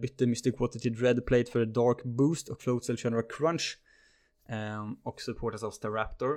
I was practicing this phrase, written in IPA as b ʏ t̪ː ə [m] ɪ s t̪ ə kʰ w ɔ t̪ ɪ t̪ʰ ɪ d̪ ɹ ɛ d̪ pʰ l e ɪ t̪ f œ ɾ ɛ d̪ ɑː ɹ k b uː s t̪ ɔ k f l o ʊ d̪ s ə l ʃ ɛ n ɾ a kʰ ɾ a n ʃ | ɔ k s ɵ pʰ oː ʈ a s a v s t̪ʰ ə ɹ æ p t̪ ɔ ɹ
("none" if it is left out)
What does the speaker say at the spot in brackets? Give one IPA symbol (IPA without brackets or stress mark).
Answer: m